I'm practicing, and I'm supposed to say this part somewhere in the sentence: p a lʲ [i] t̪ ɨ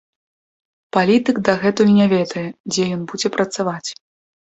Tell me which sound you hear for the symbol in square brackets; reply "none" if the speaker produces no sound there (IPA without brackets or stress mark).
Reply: i